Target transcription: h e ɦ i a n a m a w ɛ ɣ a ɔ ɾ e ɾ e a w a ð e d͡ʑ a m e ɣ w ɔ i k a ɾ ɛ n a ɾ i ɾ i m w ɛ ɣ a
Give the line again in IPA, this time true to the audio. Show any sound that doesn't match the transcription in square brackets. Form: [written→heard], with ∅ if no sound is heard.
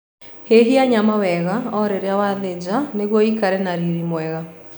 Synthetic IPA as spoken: h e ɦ i a [n→ɲ] a m a w ɛ ɣ a ɔ ɾ e ɾ e a w a ð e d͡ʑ a [m→n] e ɣ w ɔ i k a ɾ ɛ n a ɾ i ɾ i m w ɛ ɣ a